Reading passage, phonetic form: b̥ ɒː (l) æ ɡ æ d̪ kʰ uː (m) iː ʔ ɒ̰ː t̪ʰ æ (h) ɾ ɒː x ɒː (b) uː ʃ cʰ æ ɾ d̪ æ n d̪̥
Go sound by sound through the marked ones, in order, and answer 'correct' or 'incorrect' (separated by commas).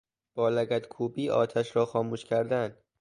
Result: correct, incorrect, incorrect, incorrect